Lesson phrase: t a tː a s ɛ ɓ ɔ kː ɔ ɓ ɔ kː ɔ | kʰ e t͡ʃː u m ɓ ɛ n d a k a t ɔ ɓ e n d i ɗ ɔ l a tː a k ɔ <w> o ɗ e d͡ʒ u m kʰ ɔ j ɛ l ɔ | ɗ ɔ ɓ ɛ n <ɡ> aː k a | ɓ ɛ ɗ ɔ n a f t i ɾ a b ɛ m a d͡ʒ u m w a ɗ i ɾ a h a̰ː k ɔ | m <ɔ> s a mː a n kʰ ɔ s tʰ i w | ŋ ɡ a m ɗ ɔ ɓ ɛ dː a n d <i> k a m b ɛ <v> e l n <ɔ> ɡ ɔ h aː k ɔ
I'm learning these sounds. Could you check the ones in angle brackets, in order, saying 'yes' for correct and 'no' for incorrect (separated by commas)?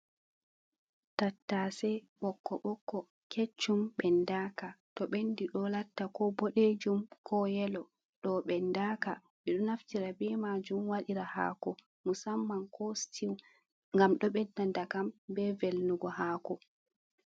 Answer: no, no, no, no, yes, no